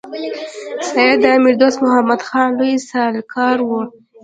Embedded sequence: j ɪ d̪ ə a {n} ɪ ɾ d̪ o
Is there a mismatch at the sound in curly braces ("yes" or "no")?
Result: yes